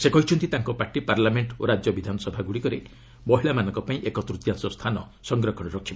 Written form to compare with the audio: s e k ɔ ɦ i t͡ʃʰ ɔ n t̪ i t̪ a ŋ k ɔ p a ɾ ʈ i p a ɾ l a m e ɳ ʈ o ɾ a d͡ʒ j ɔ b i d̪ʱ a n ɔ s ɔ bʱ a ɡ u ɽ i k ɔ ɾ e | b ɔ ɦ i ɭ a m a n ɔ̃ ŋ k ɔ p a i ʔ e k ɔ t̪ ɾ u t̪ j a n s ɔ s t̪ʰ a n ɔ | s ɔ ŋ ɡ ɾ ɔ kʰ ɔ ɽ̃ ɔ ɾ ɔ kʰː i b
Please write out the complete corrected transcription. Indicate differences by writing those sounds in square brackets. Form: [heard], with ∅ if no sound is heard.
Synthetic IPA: s e k ɔ ɦ i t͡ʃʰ ɔ n t̪ i t̪ a ŋ k ɔ p a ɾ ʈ i p a ɾ l a m e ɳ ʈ o ɾ a d͡ʒ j ɔ b i d̪ʱ a n ɔ s ɔ bʱ a ɡ u ɽ i k ɔ ɾ e | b ɔ ɦ i ɭ a m a n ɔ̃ ŋ k ɔ p a [ĩ] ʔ e k ɔ t̪ ɾ u t̪ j a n s ɔ s t̪ʰ a n ɔ | s ɔ ŋ ɡ ɾ ɔ kʰ ɔ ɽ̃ ɔ ɾ ɔ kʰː i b